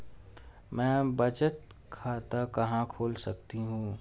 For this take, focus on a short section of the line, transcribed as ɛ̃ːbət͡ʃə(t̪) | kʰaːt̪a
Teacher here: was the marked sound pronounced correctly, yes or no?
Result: yes